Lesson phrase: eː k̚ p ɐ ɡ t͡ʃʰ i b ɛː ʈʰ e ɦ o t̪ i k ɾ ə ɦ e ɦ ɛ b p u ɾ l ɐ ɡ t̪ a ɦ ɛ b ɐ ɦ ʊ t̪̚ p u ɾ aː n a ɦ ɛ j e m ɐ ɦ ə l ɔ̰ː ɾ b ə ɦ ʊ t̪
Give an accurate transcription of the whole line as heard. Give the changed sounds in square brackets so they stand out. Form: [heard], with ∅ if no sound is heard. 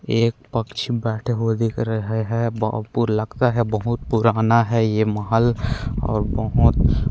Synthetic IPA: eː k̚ p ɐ [k] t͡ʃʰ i b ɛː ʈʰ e ɦ o [d̪] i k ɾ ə ɦ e ɦ ɛ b p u ɾ l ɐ ɡ t̪ a ɦ ɛ b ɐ ɦ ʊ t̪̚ p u ɾ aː n a ɦ ɛ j e m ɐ ɦ ə l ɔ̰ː ɾ b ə ɦ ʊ t̪